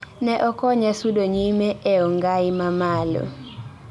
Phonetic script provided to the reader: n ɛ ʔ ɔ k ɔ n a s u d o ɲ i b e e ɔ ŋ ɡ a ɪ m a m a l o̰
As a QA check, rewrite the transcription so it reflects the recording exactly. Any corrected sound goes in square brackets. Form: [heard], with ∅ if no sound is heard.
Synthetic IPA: n ɛ ʔ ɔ k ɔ [ɲ] a s u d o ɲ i [m] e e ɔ ŋ ɡ a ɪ m a m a l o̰